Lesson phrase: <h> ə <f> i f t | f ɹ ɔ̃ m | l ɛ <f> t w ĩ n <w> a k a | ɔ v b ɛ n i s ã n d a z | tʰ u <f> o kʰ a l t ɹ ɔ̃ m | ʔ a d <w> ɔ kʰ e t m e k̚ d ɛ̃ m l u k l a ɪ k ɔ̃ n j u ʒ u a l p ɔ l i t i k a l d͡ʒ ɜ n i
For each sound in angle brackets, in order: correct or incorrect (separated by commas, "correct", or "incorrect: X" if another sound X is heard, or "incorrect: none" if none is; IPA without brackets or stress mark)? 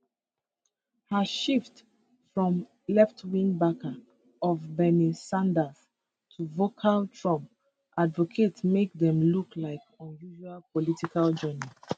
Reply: correct, incorrect: ʃ, correct, incorrect: b, incorrect: v, incorrect: v